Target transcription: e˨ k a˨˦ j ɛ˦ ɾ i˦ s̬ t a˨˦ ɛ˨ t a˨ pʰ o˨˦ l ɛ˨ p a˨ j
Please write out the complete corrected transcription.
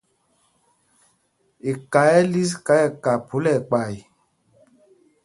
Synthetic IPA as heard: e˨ k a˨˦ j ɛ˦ l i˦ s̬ k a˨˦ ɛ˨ k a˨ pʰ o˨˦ l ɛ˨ k͡p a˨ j